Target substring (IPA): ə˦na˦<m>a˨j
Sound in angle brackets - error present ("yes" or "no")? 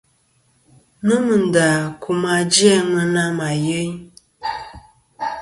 no